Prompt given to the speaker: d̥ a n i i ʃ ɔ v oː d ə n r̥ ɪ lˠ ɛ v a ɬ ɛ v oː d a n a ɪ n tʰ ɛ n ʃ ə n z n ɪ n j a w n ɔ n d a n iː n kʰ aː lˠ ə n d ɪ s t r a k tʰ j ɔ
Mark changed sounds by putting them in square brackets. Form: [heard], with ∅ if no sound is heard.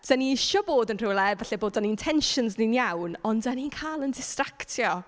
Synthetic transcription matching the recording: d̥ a n i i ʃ ɔ [b] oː d ə n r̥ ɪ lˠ ɛ v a ɬ ɛ [b] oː d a n [i] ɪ n tʰ ɛ n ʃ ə n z n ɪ n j a w n ɔ n d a n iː n kʰ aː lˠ ə n d ɪ s t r a k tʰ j ɔ